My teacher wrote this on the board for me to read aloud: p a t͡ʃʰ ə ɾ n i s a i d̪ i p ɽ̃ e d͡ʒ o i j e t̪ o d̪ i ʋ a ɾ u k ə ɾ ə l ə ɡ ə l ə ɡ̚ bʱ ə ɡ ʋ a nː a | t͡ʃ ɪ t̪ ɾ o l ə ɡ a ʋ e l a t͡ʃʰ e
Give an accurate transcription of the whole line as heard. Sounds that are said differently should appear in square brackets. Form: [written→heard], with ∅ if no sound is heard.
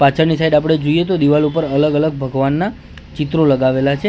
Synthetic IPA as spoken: p a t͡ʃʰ ə ɾ n i s a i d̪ [i→a] p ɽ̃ e d͡ʒ o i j e t̪ o d̪ i ʋ a [ɾ→l] u [k→p] ə ɾ ə l ə ɡ ə l ə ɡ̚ bʱ ə ɡ ʋ a nː a | t͡ʃ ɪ t̪ ɾ o l ə ɡ a ʋ e l a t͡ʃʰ e